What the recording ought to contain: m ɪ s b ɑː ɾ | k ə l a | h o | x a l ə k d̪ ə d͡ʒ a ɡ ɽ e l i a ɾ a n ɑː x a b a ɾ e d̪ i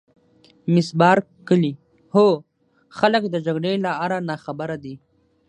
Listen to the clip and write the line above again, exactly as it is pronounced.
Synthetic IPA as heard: m ɪ s b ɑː ɾ | k ə l i | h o | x a l ə k d̪ ə d͡ʒ a ɡ ɽ e l a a ɾ a n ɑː x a b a ɾ a d̪ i